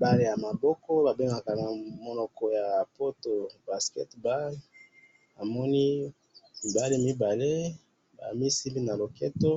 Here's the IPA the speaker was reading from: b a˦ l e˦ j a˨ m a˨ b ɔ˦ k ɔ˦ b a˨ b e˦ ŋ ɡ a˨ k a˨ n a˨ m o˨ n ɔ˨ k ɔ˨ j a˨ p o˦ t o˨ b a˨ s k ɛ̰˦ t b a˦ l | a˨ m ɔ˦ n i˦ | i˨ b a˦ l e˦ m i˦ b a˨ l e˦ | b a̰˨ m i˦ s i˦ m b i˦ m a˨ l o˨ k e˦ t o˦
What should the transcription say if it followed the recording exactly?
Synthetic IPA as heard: b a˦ l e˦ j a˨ m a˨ b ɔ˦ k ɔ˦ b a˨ b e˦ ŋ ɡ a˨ k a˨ n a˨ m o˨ n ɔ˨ k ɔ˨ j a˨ p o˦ t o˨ b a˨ s k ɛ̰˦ t b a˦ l | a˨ m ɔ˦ n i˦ | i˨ b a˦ l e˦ m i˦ b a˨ l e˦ | b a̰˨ m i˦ s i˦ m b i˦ n a˨ l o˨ k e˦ t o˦

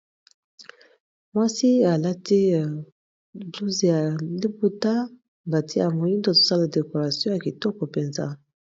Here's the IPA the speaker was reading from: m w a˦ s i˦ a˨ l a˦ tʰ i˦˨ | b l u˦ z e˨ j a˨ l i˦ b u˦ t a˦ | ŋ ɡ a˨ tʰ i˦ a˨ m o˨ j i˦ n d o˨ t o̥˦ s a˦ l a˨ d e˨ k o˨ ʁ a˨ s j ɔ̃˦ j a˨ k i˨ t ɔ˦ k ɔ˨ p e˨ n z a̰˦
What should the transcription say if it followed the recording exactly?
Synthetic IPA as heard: m w a˦ s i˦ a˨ l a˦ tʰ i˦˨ | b l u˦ z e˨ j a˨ l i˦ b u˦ t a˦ | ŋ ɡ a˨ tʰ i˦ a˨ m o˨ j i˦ n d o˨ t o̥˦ s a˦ l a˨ d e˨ k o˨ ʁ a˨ s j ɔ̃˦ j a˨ k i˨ t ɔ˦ k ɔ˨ p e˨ n z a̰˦

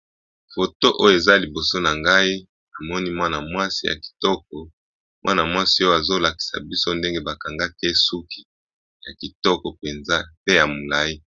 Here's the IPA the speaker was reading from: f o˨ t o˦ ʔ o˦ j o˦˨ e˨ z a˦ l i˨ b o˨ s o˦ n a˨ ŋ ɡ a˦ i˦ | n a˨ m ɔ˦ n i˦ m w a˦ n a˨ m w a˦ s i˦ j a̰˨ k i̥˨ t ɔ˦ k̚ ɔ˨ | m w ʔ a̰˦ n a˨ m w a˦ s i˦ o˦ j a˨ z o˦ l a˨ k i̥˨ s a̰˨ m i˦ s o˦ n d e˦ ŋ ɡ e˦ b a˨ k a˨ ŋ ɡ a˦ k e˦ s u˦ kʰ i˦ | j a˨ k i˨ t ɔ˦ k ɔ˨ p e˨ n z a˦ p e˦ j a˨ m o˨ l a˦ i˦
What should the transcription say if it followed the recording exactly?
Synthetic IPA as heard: f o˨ t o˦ ʔ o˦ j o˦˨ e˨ z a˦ l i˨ b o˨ s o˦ n a˨ ŋ ɡ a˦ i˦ | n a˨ m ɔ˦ n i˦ m w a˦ n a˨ m w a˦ s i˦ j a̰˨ k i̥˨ t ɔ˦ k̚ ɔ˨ | m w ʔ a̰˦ n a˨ m w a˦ s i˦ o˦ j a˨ z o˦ l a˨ k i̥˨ s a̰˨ b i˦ s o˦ n d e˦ ŋ ɡ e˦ b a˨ k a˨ ŋ ɡ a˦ k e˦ s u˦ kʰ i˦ | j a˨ k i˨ t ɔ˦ k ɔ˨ p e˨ n z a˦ p e˦ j a˨ m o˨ l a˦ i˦

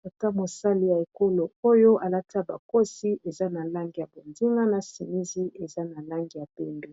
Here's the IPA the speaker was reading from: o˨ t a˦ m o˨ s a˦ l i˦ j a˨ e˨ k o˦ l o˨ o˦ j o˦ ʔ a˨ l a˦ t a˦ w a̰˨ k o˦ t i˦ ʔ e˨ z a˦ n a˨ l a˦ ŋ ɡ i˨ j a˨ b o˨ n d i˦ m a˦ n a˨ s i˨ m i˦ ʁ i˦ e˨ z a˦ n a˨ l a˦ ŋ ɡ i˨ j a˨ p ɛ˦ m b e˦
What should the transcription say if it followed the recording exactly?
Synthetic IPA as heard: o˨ t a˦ m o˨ s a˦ l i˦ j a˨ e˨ k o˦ l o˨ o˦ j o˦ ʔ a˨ l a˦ t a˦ b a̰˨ k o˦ s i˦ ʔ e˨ z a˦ n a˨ l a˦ ŋ ɡ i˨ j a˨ b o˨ n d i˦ ŋ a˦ n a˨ s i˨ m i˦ z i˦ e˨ z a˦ n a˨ l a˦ ŋ ɡ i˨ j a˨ p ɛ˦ m b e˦

